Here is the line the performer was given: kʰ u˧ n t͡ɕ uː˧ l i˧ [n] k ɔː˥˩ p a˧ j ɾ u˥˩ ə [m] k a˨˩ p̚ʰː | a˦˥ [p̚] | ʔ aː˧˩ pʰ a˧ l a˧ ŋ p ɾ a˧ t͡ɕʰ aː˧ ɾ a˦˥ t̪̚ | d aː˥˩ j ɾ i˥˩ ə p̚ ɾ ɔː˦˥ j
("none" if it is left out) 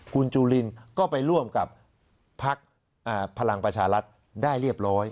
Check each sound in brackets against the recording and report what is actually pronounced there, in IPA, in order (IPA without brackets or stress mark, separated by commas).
n, m, k̚